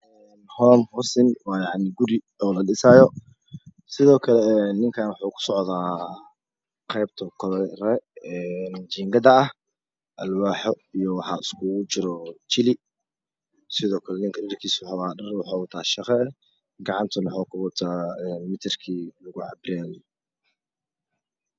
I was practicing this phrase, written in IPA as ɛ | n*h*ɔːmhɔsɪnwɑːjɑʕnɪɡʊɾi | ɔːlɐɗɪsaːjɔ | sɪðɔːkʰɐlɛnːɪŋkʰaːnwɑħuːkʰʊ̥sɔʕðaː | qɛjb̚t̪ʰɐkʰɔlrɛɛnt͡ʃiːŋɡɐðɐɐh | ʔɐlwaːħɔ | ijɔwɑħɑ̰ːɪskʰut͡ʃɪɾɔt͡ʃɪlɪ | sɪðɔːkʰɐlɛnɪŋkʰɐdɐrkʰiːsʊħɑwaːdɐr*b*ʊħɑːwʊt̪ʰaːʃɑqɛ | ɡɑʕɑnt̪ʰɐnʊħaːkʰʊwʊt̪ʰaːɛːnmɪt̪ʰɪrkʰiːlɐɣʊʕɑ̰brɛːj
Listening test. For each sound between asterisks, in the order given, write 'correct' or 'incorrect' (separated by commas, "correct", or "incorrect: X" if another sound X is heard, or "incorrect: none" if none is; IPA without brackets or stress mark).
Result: correct, incorrect: w